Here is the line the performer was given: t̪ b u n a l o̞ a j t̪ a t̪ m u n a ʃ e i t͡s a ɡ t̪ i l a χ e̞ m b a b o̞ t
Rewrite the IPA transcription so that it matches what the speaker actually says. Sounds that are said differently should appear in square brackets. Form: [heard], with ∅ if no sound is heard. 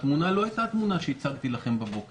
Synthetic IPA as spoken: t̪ [m] u n a l o̞ a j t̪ a t̪ m u n a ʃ e i t͡s a ɡ t̪ i l a χ e̞ m b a b o̞ [k]